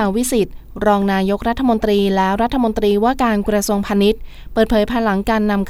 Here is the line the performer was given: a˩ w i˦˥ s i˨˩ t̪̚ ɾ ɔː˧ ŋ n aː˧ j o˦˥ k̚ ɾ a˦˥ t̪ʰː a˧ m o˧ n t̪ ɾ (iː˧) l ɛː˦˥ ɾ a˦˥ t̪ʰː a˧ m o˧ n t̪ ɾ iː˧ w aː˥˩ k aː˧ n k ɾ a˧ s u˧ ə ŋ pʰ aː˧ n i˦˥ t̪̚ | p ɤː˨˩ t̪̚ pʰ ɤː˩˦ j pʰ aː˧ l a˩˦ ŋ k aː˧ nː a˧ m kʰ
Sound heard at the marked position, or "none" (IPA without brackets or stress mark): iː˧